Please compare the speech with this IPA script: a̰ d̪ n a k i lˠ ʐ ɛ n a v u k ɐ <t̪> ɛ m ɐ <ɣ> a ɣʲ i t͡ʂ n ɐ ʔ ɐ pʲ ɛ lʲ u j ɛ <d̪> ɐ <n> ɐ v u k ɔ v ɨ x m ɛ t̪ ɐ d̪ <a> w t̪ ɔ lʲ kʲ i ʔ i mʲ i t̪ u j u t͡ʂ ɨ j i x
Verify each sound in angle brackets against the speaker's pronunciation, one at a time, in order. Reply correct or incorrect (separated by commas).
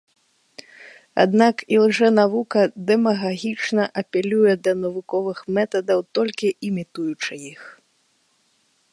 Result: incorrect, correct, correct, correct, incorrect